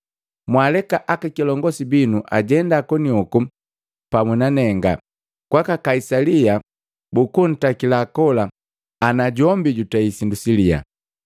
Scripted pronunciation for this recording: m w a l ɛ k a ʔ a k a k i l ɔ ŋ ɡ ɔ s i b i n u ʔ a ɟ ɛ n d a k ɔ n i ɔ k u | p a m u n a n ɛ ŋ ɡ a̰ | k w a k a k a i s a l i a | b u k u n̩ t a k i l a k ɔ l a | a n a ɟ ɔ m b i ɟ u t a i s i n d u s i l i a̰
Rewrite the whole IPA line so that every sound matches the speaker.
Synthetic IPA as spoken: m w a l ɛ k a ʔ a k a k i l ɔ ŋ ɡ ɔ s i b i n u ʔ a ɟ ɛ n d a k ɔ n i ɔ k u | p a m u n a n ɛ ŋ ɡ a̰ | k w a k a k a i s a l i a | b u k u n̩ t a k i l a k ɔ l a | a n a ɟ ɔ m b i ɟ u t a i s i n d u s i l i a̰

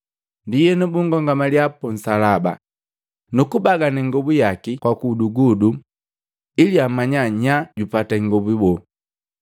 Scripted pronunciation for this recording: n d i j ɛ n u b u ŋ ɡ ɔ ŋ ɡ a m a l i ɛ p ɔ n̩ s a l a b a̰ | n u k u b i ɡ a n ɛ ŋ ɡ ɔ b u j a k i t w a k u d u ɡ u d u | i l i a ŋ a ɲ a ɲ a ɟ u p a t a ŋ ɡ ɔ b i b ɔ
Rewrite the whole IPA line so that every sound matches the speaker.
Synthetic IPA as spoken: n d i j ɛ n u b u ŋ ɡ ɔ ŋ ɡ a m a l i a p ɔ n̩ s a l a b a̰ | n u k u b a ɡ a n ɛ ŋ ɡ ɔ b u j a k i k w a k u d u ɡ u d u | i l i a m a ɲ a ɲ a ɟ u p a t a ŋ ɡ ɔ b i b ɔ

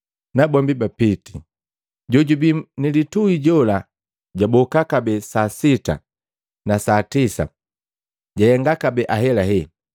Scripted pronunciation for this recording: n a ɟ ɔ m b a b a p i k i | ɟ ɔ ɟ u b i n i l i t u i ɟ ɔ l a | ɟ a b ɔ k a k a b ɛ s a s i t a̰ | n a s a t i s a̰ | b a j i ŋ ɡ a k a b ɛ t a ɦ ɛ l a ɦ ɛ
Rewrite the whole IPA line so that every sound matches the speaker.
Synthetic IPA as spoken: n a b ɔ m b i b a p i t i | ɟ ɔ ɟ u b i n i l i t u i ɟ ɔ l a | ɟ a b ɔ k a k a b ɛ s a s i t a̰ | n a s a t i s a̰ | ɟ a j ɛ ŋ ɡ a k a b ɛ ʔ a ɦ ɛ l a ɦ ɛ

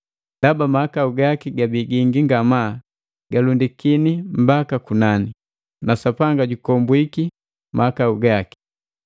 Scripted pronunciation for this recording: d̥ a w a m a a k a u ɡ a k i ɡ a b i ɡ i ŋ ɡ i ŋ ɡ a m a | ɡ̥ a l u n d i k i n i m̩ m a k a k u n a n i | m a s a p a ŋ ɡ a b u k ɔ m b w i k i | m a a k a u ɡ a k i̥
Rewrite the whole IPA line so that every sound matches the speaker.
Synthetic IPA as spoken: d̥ a b a m a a k a u ɡ a k i ɡ a b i ɡ i ŋ ɡ i ŋ ɡ a m a | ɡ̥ a l u n d i k i n i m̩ b a k a k u n a n i | n a s a p a ŋ ɡ a ɟ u k ɔ m b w i k i | m a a k a u ɡ a k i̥

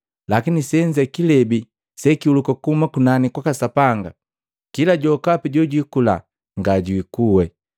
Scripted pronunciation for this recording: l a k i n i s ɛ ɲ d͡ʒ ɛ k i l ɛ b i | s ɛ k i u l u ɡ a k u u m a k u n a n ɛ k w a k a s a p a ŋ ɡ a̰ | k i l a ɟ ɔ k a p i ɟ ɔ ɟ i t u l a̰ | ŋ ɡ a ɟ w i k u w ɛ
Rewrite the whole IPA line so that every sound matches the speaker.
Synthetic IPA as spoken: l a k i n i s ɛ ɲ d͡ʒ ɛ k i l ɛ b i | s ɛ k i u l u k a k u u m a k u n a n i k w a k a s a p a ŋ ɡ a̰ | k i l a ɟ ɔ k a p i ɟ ɔ ɟ i k u l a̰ | ŋ ɡ a ɟ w i k u w ɛ

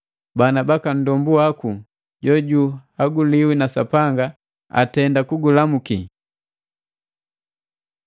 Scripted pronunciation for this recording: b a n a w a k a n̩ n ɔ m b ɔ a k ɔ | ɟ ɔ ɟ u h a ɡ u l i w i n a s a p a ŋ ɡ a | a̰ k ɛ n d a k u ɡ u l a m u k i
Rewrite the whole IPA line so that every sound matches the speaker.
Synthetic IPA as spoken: b a n a b a k a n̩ d ɔ m b u a k u | ɟ ɔ ɟ u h a ɡ u l i w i n a s a p a ŋ ɡ a | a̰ t ɛ n d a k u ɡ u l a m u k i

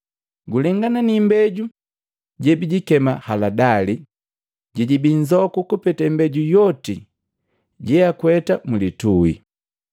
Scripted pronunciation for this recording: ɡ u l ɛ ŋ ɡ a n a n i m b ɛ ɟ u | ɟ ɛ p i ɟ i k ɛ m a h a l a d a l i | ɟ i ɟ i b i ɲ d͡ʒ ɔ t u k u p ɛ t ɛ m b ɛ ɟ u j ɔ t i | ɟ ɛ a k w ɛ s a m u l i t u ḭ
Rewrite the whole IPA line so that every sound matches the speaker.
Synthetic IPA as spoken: ɡ u l ɛ ŋ ɡ a n a n i m b ɛ ɟ u | ɟ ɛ b i ɟ i k ɛ m a h a l a d a l i | ɟ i ɟ i b i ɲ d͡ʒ ɔ k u k u p ɛ t ɛ m b ɛ ɟ u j ɔ t i | ɟ ɛ a k w ɛ t a m u l i t u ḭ

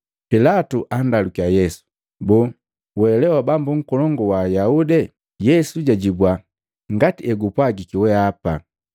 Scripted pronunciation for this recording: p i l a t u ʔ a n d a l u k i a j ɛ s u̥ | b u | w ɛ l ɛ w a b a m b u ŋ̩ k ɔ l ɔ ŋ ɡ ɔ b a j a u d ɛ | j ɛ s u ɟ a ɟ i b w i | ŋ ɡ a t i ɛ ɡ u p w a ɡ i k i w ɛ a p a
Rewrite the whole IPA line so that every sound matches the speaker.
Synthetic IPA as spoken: p i l a t u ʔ a n d a l u k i a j ɛ s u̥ | b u | w ɛ l ɛ w a b a m b u ŋ̩ k ɔ l ɔ ŋ ɡ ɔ w a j a u d ɛ | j ɛ s u ɟ a ɟ i b w a | ŋ ɡ a t i ɛ ɡ u p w a ɡ i k i w ɛ a p a

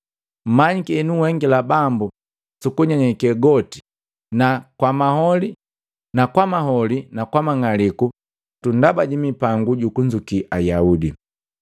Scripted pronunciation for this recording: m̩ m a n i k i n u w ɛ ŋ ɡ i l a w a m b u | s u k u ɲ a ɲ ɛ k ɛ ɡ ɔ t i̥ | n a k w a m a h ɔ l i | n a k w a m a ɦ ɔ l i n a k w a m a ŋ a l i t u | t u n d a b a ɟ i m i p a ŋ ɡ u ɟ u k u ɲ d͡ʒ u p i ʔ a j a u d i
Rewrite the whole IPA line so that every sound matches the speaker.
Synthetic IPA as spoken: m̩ m a ɲ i k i n u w ɛ ŋ ɡ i l a b a m b u | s u k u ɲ a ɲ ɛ k ɛ ɡ ɔ t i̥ | n a k w a m a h ɔ l i | n a k w a m a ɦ ɔ l i n a k w a m a ŋ a l i k u | t u n d a b a ɟ i m i p a ŋ ɡ u ɟ u k u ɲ d͡ʒ u k i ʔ a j a u d i

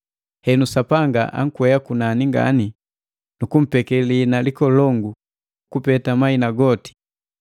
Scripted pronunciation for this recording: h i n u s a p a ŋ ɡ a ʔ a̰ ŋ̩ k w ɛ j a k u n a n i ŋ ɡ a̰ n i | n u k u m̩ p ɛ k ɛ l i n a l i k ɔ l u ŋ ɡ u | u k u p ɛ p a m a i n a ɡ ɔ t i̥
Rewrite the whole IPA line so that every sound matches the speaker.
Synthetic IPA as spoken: h ɛ n u s a p a ŋ ɡ a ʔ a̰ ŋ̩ k w ɛ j a k u n a n i ŋ ɡ a̰ n i | n u k u m̩ p ɛ k ɛ l i n a l i k ɔ l ɔ ŋ ɡ u | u k u p ɛ t a m a i n a ɡ ɔ t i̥

